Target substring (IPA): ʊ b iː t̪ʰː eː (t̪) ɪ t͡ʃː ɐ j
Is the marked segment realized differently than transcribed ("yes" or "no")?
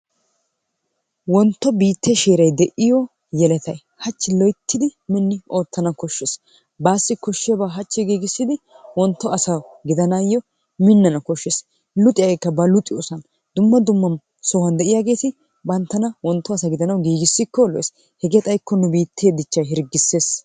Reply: yes